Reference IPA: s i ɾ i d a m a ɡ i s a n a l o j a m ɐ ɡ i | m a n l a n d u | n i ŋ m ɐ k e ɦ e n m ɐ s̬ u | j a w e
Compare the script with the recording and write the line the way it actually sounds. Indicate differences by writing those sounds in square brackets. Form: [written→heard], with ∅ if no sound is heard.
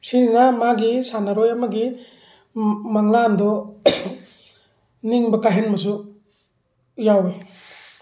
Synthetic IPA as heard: s i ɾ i [d→n] a m a ɡ i s a n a [l→ɾ] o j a m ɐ ɡ i | m a [n→ŋ] l a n d [u→ɔ] | n i ŋ [m→b] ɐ k [e→a] ɦ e n m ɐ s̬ u | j a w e